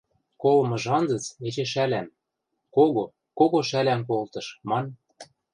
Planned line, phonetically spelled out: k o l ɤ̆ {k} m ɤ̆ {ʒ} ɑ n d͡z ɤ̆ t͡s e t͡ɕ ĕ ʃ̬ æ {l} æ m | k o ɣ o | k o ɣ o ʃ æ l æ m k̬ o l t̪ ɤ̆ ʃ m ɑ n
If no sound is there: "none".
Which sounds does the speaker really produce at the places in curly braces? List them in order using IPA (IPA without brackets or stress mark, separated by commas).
none, ʒ, l